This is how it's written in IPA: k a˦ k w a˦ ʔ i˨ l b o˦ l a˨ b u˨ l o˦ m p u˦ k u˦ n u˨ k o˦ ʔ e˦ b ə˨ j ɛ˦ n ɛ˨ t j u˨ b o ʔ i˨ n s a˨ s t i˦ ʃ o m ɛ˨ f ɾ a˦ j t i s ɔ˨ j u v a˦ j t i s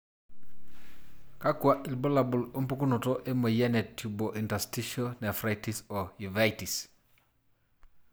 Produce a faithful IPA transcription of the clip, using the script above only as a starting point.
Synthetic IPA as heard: k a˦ k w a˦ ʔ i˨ l b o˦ l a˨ b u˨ l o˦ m p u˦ k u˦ n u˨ t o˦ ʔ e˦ m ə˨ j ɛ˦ n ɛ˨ t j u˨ b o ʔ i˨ n t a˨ s t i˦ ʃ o n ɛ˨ f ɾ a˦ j t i s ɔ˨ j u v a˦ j t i s